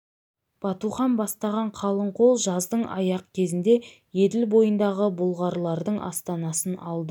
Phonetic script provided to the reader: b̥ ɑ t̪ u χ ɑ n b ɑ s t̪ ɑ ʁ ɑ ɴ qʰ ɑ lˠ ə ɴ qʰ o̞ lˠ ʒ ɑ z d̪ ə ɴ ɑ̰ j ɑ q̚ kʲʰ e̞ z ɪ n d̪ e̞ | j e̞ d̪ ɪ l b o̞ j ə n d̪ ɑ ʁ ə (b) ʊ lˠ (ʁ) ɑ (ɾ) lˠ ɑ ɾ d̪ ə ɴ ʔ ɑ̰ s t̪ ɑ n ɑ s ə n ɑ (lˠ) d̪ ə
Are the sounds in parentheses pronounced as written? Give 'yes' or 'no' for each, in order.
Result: yes, yes, yes, yes

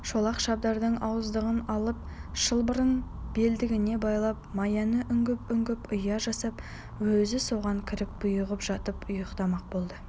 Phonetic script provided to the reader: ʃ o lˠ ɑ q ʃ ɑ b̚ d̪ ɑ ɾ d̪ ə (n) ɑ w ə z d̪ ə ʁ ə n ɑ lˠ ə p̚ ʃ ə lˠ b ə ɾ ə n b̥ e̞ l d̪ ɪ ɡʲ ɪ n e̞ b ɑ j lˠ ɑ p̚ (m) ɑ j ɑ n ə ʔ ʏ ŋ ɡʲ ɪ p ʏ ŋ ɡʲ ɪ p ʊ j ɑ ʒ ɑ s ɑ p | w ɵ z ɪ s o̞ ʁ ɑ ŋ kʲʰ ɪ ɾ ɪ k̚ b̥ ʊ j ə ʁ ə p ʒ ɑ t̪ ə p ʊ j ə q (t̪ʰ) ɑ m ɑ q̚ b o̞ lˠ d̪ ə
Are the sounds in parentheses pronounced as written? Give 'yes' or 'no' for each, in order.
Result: no, yes, no

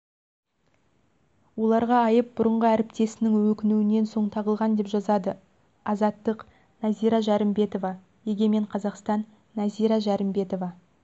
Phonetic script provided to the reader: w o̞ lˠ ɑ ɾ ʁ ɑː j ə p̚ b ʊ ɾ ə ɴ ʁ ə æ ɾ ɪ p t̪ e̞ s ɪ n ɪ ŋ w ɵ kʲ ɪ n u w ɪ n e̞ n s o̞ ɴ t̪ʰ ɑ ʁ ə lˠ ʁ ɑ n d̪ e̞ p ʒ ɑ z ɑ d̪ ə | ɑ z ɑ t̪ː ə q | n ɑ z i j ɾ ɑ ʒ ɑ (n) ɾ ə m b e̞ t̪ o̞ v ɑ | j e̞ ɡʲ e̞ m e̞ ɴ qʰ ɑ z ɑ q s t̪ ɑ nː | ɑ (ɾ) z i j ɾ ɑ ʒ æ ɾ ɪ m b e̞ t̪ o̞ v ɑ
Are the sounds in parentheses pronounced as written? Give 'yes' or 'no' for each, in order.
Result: no, no

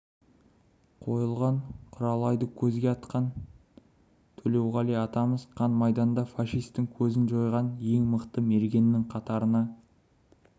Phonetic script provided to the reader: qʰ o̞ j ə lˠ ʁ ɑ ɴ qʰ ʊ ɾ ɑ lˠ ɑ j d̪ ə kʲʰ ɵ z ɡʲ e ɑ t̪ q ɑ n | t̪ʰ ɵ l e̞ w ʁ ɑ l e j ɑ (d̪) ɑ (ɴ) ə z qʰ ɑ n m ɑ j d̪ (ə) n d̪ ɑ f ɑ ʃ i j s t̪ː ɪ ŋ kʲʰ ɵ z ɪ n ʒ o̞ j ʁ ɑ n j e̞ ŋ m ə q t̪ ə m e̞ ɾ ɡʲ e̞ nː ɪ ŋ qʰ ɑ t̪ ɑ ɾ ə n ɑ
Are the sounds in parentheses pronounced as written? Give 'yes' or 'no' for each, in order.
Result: no, no, no

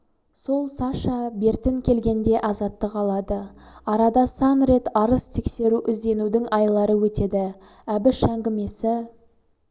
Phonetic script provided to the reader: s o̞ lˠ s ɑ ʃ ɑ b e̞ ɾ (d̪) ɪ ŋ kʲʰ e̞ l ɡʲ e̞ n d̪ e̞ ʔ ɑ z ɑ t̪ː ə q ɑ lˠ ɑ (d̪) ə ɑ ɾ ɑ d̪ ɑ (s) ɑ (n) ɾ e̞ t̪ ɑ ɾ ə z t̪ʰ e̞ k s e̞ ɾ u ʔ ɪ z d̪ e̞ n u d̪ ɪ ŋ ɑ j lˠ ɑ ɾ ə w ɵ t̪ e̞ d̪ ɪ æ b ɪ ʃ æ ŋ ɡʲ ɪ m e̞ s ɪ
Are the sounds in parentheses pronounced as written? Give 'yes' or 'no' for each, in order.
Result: no, yes, yes, yes

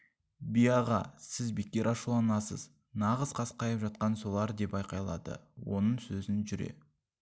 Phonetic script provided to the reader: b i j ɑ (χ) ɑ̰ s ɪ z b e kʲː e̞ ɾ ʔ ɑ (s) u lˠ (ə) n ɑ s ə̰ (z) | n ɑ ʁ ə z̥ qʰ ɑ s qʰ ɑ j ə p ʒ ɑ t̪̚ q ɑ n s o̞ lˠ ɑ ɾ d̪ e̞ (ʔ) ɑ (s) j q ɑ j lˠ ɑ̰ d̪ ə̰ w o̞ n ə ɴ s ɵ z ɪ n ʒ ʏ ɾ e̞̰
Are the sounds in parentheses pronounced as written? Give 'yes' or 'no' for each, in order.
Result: no, no, no, yes, no, no

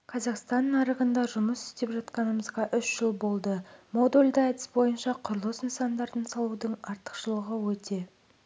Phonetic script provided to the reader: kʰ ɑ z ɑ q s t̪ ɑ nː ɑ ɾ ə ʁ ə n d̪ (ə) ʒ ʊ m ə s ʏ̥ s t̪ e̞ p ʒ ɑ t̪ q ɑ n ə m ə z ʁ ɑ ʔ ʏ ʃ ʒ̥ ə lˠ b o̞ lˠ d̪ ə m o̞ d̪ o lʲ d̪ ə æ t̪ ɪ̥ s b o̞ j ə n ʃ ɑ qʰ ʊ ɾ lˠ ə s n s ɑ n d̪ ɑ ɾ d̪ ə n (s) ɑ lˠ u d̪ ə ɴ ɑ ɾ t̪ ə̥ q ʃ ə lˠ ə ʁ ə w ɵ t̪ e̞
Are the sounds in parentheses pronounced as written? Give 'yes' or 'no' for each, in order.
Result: no, yes

